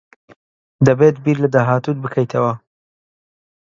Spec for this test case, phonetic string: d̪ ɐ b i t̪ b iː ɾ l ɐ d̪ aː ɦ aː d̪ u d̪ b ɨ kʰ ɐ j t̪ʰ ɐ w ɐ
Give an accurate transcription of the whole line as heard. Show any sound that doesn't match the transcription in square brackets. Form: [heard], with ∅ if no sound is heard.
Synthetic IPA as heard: d̪ ɐ b [e] t̪ b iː ɾ l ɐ d̪ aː ɦ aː [t̪] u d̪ b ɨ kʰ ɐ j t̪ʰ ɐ w ɐ